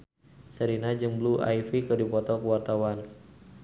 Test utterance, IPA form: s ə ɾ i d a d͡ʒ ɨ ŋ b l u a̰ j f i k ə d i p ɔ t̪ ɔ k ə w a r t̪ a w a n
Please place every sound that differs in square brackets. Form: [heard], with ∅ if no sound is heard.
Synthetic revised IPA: s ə ɾ i [n] a d͡ʒ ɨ ŋ b l u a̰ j f i k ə d i p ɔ t̪ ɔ k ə w a r t̪ a w a n